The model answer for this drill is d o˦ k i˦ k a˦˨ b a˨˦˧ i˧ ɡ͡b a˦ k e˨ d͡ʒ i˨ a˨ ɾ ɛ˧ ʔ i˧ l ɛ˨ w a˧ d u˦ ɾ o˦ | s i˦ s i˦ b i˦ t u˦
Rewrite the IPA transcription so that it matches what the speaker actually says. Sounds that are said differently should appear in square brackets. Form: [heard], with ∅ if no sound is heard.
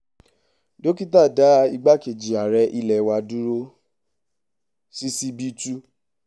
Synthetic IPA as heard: d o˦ k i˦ [t] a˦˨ [d] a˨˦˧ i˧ ɡ͡b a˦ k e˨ d͡ʒ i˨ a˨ ɾ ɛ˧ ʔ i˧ l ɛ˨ w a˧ d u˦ ɾ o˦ | s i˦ s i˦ b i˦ t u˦

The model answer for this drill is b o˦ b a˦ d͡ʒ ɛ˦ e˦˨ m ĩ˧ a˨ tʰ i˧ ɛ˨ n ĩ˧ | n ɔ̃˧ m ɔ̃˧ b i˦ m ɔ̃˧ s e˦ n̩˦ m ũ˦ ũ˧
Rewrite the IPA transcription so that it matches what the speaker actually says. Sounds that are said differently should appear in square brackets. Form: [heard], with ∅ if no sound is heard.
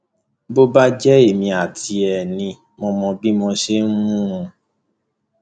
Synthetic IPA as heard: b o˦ b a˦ d͡ʒ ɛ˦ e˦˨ m ĩ˧ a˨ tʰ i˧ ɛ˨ n ĩ˧ | [m] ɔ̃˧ m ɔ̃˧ b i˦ m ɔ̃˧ [ʃ] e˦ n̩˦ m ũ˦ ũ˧

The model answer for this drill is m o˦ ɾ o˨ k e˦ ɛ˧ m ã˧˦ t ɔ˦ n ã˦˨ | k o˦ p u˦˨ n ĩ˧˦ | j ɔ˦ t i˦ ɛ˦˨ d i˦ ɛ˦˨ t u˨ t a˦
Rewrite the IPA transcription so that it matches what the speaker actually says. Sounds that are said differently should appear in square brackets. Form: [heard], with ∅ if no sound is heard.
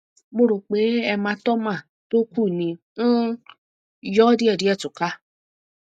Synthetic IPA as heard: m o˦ ɾ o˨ [k͡p] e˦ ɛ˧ m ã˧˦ t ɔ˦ [m] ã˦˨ | [t] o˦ [k] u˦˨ n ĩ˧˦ | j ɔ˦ [d] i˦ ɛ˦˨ d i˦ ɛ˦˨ t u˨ [k] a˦

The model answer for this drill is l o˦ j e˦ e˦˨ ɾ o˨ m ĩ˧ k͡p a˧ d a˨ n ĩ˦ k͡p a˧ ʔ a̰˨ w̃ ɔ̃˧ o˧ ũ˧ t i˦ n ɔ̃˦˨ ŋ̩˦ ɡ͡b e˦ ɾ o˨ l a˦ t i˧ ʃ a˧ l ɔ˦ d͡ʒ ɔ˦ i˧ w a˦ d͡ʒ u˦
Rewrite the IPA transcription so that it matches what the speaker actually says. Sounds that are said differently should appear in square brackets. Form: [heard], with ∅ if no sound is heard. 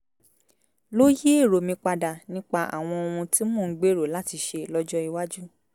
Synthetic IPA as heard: l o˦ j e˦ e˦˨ ɾ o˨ m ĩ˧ k͡p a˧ d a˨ n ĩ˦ k͡p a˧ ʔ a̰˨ w̃ ɔ̃˧ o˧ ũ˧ t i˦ [m] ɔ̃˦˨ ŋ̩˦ ɡ͡b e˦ ɾ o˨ l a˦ t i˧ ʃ [e˧] l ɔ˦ d͡ʒ ɔ˦ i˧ w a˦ d͡ʒ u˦

